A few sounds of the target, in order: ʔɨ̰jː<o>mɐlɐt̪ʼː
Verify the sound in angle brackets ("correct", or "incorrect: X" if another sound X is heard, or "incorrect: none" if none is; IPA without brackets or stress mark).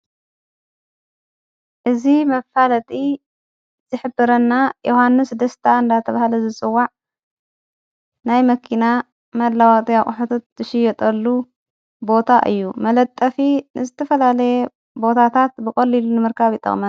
incorrect: u